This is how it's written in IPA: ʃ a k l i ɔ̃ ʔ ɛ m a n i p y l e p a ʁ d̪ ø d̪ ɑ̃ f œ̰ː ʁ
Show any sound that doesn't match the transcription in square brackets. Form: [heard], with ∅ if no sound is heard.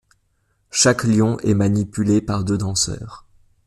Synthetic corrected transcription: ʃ a k l [j] ɔ̃ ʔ ɛ m a n i p y l e p a ʁ d̪ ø d̪ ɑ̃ [s] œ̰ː ʁ